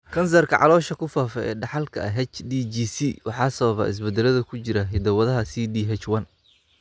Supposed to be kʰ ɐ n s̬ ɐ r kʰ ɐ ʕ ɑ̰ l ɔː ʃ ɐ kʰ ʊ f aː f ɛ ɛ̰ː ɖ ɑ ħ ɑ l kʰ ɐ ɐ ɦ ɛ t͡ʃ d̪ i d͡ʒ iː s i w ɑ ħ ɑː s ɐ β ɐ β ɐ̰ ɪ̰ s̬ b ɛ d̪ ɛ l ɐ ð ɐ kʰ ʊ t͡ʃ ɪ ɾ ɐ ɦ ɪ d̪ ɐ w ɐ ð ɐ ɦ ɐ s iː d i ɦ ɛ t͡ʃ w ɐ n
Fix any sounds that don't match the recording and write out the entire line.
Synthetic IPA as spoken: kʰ ɐ n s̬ ɐ r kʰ ɐ ʕ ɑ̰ l ɔː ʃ ɐ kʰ ʊ f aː f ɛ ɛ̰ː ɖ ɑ ħ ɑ l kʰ ɐ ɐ ɦ ɛ t͡ʃ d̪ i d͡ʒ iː s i w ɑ ħ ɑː s ɐ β ɐ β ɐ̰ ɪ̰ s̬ b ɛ d̪ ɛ l ɐ ð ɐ kʰ ʊ t͡ʃ ɪ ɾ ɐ ɦ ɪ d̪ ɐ w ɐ ð ɐ ɦ ɐ s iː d i ɦ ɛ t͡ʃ w ɐ n

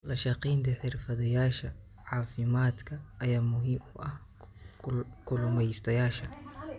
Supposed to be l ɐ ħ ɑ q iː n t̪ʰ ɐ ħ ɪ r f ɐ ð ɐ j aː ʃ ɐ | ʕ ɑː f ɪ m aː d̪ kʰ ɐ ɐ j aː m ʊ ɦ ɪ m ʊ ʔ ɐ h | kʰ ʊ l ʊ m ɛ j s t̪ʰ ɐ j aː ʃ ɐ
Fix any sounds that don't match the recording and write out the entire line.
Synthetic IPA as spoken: l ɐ ʃ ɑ q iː n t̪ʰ ɐ ħ ɪ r f ɐ ð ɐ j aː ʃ ɐ | ʕ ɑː f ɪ m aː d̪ kʰ ɐ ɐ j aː m ʊ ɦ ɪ m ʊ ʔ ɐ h | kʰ ʊ l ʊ m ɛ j s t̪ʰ ɐ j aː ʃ ɐ

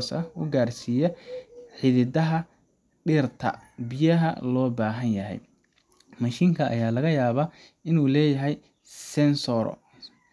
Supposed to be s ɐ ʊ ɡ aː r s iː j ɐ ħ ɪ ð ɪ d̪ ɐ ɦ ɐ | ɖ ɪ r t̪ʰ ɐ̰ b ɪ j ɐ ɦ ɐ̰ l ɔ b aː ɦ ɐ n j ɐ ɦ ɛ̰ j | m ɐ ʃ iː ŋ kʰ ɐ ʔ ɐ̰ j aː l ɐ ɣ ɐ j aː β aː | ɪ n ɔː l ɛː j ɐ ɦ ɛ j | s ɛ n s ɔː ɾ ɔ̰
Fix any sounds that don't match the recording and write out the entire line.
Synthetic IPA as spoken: s ɐ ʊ ɡ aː r s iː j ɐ ħ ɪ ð ɪ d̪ ɐ ɦ ɐ | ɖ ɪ r t̪ʰ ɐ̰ b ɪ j ɐ ɦ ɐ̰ l ɔː b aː ɦ ɐ n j ɐ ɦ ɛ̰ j | m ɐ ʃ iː ŋ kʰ ɐ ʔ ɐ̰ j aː l ɐ ɣ ɐ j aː β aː | ɪ n uː l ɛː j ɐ ɦ ɛ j | s ɛ n s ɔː ɾ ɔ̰

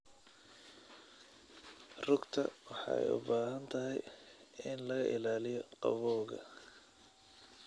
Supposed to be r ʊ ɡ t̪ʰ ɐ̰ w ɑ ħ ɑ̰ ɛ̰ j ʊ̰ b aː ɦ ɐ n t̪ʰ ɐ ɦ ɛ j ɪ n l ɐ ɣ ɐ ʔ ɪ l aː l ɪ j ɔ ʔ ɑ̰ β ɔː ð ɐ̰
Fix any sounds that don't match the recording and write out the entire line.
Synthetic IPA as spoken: r ʊ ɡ t̪ʰ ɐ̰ w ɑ ħ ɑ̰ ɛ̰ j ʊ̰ b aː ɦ ɐ n t̪ʰ ɐ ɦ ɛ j ɪ n l ɐ ɣ ɐ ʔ ɪ l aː l ɪ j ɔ q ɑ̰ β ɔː ɣ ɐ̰

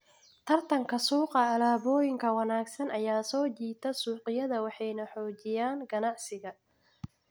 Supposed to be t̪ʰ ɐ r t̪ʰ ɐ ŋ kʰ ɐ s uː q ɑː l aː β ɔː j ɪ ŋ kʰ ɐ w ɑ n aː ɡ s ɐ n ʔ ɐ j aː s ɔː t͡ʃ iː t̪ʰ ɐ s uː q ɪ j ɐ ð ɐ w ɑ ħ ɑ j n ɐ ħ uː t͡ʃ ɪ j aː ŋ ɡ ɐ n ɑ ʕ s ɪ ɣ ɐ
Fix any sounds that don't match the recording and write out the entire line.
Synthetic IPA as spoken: t̪ʰ ɐ r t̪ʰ ɐ ŋ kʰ ɐ s uː q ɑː l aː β ɔː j ɪ ŋ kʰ ɐ w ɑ n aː ɡ s ɐ n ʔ ɐ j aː s ɔː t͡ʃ iː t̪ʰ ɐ s uː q ɪ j ɐ ð ɐ w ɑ ħ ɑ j n ɐ ħ ɔː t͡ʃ ɪ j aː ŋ ɡ ɐ n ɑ ʕ s ɪ ɣ ɐ

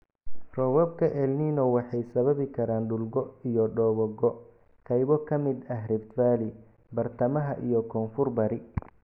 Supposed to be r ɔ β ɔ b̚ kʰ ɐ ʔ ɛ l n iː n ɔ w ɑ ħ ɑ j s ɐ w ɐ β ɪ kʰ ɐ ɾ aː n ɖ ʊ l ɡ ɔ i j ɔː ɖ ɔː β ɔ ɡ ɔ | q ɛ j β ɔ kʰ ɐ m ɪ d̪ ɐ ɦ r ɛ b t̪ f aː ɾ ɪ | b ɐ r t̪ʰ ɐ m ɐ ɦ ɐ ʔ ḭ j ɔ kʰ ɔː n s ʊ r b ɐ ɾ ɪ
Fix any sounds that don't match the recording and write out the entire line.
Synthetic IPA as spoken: r ɔ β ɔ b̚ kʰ ɐ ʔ ɛ l n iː n ɔ w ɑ ħ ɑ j s ɐ β ɐ β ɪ kʰ ɐ ɾ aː n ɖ ʊ l ɡ ɔ i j ɔ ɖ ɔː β ɔ ɡ ɔ | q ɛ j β ɔ kʰ ɐ m ɪ d̪ ɐ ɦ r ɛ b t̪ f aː l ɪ | b ɐ r t̪ʰ ɐ m ɐ ɦ ɐ ʔ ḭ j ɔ kʰ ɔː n f ʊ r b ɐ ɾ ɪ

